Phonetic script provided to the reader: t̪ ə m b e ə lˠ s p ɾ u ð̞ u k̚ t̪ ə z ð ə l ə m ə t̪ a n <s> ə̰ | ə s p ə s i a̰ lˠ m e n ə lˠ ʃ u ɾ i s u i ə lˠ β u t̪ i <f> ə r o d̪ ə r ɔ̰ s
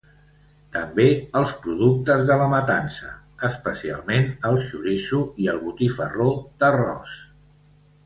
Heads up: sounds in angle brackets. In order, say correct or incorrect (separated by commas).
correct, correct